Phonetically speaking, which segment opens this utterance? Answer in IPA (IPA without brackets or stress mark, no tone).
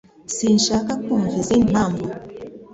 s